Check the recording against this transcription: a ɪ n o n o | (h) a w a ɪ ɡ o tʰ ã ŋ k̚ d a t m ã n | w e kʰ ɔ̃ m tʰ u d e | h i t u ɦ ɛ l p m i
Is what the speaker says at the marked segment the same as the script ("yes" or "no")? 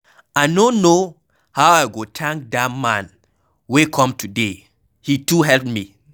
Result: yes